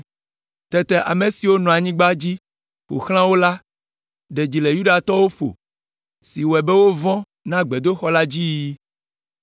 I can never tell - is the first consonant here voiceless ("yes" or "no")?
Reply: yes